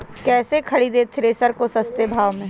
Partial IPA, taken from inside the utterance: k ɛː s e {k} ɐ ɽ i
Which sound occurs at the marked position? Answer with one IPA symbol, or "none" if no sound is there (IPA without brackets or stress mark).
kʰ